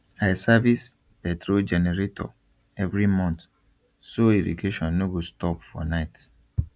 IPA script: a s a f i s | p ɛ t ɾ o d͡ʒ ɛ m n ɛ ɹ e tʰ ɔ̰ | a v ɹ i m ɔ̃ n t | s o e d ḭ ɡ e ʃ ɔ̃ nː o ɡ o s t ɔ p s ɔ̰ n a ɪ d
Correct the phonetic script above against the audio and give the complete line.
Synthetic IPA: a s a v i s | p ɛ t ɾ o d͡ʒ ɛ n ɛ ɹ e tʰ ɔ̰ | ɛ v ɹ i m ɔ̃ n t | s o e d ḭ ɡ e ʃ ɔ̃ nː o ɡ o s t ɔ p f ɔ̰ n a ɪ t